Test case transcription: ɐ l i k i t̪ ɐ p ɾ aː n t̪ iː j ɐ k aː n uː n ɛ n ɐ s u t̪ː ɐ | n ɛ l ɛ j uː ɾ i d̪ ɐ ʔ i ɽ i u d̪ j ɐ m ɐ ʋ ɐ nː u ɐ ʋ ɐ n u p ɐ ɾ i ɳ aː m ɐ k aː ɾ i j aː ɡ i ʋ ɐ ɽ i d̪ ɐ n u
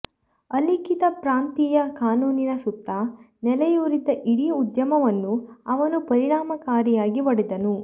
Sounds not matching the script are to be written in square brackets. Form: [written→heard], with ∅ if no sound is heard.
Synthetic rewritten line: ɐ l i k i t̪ ɐ p ɾ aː n t̪ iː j ɐ k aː n uː n [ɛ→i] n ɐ s u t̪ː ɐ | n ɛ l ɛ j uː ɾ i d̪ ɐ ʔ i ɽ i u d̪ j ɐ m ɐ ʋ ɐ nː u ɐ ʋ ɐ n u p ɐ ɾ i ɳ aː m ɐ k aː ɾ i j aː ɡ i ʋ ɐ ɽ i d̪ ɐ n u